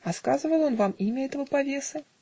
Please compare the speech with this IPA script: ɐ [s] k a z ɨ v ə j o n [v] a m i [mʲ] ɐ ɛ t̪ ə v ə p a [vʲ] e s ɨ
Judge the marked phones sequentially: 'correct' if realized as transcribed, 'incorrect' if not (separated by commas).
correct, correct, correct, correct